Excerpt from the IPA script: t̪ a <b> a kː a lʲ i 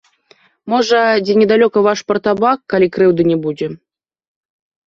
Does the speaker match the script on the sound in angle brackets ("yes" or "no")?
yes